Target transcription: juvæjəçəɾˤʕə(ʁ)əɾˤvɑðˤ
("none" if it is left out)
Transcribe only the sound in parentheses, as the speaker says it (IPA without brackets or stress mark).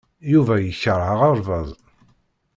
ʁ